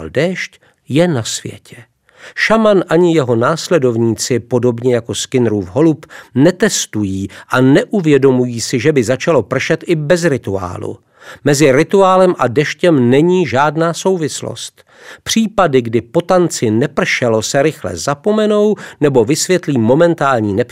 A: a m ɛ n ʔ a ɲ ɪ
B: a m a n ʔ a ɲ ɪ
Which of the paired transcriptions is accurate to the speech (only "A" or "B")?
B